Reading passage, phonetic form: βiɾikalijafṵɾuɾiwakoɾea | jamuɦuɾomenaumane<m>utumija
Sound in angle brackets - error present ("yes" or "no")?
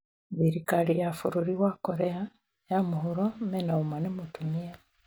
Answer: no